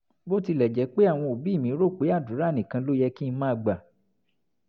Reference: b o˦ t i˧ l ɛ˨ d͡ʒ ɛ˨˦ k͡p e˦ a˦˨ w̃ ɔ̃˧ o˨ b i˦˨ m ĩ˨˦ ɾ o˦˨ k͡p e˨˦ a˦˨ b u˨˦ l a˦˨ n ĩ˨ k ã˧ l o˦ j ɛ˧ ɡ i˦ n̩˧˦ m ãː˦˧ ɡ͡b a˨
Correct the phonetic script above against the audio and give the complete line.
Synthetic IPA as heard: b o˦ t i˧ l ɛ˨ d͡ʒ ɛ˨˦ k͡p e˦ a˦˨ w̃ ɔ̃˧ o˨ b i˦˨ m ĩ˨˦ ɾ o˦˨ k͡p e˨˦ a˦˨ d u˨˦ ɾ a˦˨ n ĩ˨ k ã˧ l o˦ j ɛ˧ k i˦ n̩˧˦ m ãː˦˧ ɡ͡b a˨